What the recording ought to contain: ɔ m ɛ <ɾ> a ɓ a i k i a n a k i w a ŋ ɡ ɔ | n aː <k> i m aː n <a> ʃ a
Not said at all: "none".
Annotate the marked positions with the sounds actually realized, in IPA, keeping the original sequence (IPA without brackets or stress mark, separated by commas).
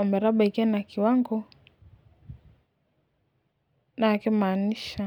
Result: ɾ, k, i